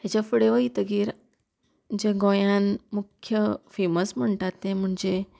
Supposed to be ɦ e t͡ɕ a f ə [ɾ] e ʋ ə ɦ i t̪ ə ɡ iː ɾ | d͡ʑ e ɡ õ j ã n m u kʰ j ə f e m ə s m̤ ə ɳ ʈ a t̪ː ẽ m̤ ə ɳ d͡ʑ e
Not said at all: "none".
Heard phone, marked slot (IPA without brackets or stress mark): ɽ